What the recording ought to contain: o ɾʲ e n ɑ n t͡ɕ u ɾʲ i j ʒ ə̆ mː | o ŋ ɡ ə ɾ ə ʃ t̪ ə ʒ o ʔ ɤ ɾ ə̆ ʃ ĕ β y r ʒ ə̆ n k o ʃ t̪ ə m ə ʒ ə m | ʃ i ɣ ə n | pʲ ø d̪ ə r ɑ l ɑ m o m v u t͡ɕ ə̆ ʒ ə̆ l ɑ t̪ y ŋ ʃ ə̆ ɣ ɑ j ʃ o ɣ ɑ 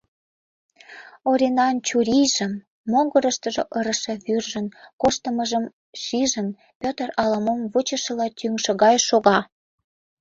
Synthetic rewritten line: o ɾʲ e n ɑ n t͡ɕ u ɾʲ i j ʒ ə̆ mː | o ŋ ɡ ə ɾ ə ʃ t̪ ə ʒ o ʔ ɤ ɾ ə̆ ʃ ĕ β y r ʒ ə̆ n k o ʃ t̪ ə m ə ʒ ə m | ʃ i ʒ ə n | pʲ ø t̪ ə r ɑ l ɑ m o m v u t͡ɕ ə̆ ʃ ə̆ l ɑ t̪ y ŋ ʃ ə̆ ɣ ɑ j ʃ o ɣ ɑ

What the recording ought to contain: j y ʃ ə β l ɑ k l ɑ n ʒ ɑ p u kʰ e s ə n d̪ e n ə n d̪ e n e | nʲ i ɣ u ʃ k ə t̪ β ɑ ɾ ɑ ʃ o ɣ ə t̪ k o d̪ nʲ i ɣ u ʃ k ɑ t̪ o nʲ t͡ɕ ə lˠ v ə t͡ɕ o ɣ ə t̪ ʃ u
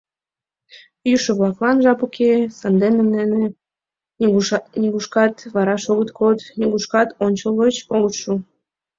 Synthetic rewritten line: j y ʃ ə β l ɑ k l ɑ n ʒ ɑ p u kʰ e s ɑ n d̪ e n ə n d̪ e n e | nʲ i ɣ u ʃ k ɑ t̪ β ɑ ɾ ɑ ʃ o ɣ ə t̪ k o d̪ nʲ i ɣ u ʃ k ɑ t̪ o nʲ t͡ɕ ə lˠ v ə t͡ɕ o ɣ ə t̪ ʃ u

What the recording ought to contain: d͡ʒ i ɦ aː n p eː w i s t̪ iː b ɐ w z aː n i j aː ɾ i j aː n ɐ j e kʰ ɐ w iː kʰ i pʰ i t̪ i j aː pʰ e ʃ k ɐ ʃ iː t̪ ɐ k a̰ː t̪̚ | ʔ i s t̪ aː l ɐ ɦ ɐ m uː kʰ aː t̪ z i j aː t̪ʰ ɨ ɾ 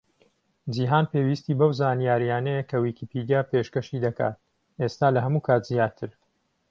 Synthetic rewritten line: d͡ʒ i ɦ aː n p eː w i s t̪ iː b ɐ w z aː n i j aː ɾ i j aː n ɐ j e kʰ ɐ w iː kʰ i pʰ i d̪ i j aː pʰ e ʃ k ɐ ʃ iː d̪ ɐ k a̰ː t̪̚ | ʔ e s t̪ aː l ɐ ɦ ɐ m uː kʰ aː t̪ z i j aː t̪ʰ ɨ ɾ

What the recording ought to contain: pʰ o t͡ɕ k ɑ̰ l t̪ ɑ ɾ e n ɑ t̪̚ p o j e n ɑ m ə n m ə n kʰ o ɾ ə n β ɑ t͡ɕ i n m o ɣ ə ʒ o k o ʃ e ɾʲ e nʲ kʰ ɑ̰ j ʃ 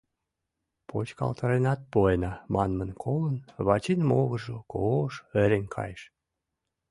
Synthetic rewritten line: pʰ o t͡ɕ k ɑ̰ l t̪ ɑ ɾ e n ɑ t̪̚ p o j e n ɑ m ɑ n m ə n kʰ o l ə n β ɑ t͡ɕ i n m o ɣ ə ʒ o k o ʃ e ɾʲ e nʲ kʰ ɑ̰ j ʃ

